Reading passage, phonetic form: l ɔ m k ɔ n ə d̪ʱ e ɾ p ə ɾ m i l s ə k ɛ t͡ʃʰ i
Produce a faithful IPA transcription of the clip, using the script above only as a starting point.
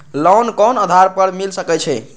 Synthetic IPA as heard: l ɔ n k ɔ n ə d̪ʱ a ɾ p ə ɾ m i l s ə k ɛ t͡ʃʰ ɛ